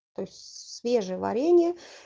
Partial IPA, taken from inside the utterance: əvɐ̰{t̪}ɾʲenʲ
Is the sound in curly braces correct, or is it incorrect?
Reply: incorrect